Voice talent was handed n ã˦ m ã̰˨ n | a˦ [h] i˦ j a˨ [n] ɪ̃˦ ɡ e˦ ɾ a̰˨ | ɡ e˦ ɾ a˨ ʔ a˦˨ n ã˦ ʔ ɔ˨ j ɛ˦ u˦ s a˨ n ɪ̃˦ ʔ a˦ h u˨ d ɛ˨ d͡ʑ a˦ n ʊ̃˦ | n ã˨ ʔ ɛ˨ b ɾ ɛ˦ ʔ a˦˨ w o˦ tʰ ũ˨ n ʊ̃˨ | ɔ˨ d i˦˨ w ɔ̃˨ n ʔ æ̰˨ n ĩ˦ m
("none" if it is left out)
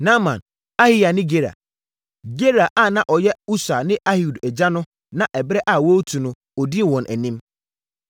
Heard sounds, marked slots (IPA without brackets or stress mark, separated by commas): h, n